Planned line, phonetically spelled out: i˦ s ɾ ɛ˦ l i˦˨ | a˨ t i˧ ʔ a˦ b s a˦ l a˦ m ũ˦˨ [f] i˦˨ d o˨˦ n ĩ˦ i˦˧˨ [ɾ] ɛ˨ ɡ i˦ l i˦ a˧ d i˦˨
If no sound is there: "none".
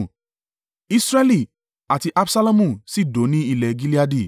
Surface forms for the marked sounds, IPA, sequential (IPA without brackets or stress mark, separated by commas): s, l